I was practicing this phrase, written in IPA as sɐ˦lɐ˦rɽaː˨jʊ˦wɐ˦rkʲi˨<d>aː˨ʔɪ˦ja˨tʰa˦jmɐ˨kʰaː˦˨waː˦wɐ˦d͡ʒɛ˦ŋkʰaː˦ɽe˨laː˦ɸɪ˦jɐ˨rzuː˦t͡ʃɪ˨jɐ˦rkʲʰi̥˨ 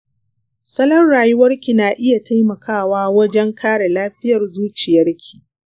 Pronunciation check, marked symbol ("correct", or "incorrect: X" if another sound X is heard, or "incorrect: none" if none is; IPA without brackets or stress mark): incorrect: n